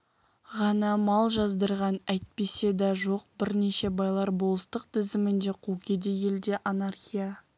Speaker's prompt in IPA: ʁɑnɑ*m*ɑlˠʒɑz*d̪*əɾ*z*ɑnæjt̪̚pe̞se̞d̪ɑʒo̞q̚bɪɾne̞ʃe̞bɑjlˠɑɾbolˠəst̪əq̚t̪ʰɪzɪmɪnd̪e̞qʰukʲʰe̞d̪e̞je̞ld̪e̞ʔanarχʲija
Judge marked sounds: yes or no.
yes, yes, no

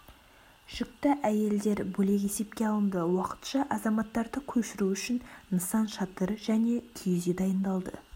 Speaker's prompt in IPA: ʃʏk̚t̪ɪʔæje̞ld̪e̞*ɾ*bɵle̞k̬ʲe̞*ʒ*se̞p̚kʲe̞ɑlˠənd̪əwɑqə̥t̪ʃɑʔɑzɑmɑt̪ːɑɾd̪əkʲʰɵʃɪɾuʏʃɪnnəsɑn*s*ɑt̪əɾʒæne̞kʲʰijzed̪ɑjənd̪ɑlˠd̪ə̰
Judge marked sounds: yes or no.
yes, no, no

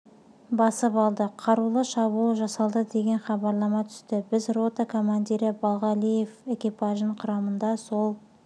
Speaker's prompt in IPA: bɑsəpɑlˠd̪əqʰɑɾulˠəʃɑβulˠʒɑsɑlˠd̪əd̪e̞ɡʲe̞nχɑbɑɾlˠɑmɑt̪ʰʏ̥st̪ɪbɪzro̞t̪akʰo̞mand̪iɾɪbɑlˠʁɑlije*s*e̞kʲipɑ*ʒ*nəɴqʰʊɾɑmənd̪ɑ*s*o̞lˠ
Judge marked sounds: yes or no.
no, yes, yes

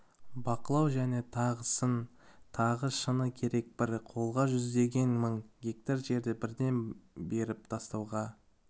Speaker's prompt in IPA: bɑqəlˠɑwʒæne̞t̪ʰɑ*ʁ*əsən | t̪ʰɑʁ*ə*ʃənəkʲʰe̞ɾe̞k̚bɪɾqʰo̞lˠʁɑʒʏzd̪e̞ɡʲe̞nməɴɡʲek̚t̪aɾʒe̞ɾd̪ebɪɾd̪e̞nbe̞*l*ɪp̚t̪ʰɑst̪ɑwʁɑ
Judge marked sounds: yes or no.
yes, yes, no

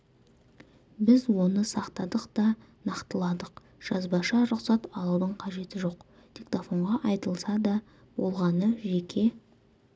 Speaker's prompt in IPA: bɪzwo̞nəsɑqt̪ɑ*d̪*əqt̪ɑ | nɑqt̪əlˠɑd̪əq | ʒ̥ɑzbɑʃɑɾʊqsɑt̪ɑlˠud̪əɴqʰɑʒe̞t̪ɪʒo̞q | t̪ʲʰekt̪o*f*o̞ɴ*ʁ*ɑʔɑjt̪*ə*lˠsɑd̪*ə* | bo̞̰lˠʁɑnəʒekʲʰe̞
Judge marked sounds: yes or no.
yes, yes, yes, yes, no

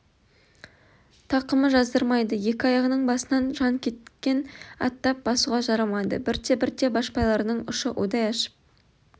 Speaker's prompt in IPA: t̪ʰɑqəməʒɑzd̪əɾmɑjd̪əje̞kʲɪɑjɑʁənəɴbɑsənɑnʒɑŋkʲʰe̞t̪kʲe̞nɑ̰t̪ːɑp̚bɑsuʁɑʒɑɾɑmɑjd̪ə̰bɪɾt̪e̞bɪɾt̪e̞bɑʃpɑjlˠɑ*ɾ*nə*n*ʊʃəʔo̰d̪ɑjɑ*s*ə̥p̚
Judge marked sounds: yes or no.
yes, no, no

